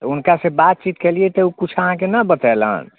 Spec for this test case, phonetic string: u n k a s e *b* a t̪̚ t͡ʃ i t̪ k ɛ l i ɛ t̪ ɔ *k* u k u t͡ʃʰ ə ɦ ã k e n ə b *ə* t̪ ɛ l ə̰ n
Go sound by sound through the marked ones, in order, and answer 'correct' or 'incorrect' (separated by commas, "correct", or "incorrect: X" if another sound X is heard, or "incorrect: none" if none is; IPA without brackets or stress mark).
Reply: correct, incorrect: none, correct